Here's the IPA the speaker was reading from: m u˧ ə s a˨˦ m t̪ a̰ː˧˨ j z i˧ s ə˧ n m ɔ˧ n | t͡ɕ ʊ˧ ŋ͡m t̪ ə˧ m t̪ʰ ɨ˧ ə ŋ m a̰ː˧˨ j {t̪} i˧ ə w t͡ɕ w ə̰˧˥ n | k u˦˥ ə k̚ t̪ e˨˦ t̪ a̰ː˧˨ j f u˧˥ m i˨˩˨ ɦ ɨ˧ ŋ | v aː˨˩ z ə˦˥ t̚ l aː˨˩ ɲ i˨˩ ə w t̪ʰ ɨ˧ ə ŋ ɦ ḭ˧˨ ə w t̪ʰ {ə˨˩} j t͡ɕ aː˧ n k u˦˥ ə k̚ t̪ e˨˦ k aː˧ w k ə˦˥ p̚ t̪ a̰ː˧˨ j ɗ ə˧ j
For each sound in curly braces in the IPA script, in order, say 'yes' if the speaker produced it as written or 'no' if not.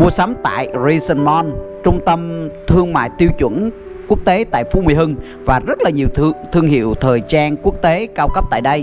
yes, no

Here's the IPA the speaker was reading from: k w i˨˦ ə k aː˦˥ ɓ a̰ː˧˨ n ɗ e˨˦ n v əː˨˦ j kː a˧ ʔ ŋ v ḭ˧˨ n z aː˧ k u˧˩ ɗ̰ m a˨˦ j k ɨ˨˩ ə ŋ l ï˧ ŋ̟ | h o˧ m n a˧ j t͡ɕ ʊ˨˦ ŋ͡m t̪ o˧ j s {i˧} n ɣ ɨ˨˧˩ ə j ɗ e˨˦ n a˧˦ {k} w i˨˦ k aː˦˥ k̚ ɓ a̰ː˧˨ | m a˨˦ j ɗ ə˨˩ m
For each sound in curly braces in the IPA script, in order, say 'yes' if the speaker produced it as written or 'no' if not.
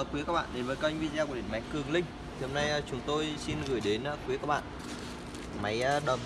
yes, yes

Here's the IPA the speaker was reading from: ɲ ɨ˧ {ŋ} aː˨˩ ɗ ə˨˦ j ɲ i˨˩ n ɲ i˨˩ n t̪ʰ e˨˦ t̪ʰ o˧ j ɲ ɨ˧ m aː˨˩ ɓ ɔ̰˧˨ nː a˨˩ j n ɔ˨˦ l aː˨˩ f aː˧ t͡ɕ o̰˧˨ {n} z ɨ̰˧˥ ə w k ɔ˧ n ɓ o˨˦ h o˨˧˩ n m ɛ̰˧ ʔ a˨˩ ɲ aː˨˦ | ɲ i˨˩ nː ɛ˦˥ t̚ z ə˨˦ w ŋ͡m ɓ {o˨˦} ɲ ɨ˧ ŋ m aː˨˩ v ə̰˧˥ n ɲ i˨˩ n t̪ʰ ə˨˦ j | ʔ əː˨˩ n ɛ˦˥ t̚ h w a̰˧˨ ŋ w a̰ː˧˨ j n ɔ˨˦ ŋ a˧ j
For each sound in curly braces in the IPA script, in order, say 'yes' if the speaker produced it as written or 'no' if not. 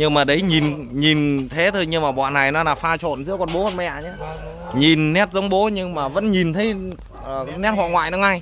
no, yes, yes

